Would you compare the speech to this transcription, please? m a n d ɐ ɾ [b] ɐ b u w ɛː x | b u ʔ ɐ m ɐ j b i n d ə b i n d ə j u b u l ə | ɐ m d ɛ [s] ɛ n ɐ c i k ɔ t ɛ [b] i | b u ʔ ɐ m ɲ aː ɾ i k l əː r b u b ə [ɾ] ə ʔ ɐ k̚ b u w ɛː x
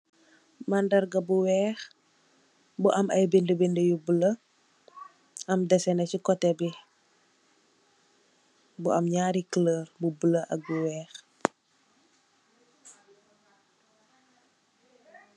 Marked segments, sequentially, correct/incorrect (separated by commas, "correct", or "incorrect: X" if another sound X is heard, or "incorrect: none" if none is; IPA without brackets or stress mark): incorrect: ɡ, correct, correct, incorrect: l